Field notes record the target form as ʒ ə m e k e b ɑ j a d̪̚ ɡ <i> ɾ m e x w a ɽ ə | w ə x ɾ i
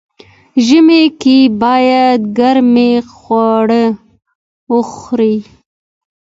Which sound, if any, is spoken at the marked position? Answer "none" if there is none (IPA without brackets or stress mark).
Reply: a